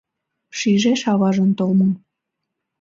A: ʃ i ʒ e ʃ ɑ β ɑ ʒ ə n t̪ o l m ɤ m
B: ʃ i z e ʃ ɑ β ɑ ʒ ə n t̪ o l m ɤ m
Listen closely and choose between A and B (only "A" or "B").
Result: A